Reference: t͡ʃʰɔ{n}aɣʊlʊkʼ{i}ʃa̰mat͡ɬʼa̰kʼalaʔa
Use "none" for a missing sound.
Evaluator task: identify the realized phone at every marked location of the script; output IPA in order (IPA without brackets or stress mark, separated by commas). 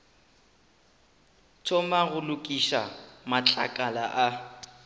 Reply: m, i